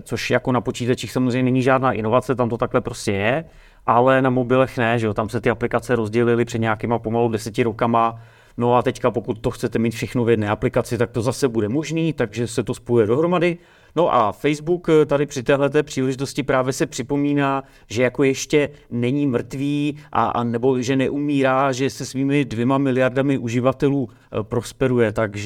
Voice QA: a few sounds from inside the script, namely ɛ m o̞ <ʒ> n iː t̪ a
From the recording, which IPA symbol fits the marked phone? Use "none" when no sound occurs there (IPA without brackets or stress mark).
ʒ